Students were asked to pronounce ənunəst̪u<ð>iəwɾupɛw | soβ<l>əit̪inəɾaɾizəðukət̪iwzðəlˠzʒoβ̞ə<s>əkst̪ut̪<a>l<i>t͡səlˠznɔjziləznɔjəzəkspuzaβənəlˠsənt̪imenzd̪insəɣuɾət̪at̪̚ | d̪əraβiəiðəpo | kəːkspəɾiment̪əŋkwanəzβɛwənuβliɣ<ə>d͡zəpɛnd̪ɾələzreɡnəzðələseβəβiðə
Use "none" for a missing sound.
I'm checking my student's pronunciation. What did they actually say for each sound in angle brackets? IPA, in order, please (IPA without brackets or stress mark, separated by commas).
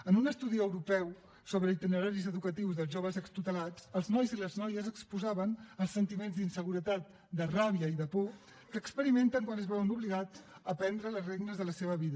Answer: ð, ɾ, z, ə, a, a